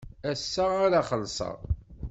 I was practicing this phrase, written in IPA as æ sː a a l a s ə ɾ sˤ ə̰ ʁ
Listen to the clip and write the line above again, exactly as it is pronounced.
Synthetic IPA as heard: æ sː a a ɾ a χ ə l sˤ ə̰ ʁ